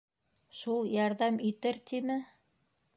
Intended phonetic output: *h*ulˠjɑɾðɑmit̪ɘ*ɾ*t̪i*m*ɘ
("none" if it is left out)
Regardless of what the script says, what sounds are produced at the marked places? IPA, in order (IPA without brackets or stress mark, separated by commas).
ʃ, ɾ, m